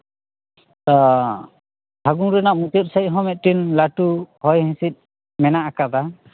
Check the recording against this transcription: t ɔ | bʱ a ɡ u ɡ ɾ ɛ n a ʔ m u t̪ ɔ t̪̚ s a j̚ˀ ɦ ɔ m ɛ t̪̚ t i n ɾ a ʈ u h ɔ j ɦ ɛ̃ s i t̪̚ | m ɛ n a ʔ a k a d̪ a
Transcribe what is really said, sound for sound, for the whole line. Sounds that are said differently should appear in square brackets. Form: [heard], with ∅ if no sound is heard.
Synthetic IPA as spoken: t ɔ | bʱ a ɡ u [ŋ] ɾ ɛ n a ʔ m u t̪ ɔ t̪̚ s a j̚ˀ ɦ ɔ m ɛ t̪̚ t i n [l] a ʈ u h ɔ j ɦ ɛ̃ s i t̪̚ | m ɛ n a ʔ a k a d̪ a

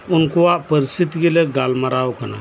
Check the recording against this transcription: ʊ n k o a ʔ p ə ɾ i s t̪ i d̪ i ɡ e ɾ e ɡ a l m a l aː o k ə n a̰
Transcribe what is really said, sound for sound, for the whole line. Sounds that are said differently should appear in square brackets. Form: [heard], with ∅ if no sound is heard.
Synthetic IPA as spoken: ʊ n k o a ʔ p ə ɾ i s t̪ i [t̪] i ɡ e [l] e ɡ a l m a [ɾ] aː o k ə n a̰

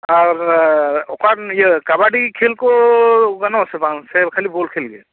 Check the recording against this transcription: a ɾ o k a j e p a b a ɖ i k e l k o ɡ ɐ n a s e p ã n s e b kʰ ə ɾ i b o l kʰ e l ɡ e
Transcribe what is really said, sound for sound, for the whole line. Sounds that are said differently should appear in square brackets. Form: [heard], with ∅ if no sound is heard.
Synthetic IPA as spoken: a ɾ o k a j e [k] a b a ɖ i [kʰ] e l k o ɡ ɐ n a s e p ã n s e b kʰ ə [l] i b o l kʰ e l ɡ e

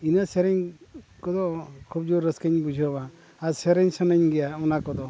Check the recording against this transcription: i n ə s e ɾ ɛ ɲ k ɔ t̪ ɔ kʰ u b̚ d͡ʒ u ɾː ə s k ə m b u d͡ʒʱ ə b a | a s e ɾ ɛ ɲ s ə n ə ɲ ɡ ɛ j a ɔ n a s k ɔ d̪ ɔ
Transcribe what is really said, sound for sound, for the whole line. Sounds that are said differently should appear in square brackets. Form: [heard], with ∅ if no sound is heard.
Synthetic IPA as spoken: i n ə s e ɾ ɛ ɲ k ɔ [d̪] ɔ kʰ u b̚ d͡ʒ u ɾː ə s k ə [ɲ] b u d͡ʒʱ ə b a | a s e ɾ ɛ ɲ s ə n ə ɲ ɡ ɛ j a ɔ n a [∅] k ɔ d̪ ɔ

